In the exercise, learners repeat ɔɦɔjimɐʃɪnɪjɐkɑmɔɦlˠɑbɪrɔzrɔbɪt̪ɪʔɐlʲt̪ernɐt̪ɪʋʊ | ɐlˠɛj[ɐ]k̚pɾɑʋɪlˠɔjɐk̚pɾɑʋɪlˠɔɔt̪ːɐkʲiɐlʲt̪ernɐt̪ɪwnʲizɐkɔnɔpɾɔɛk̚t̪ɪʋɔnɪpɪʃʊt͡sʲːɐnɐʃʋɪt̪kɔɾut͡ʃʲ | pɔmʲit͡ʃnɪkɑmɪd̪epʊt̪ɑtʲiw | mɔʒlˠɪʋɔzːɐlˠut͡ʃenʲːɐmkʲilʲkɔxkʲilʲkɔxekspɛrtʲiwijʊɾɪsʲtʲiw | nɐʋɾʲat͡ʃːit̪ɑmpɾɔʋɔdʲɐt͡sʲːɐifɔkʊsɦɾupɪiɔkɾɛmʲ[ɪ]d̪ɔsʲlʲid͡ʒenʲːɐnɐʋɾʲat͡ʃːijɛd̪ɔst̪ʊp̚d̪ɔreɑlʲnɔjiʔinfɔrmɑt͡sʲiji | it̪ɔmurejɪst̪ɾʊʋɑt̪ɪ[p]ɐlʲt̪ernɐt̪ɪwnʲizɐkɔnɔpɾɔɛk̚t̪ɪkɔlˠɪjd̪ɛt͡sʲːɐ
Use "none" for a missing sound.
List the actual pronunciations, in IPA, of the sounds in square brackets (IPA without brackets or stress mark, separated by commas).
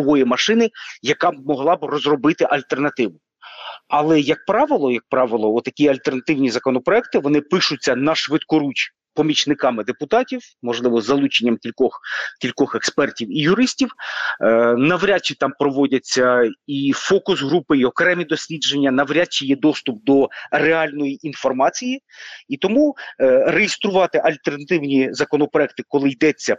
ɐ, i, ʔ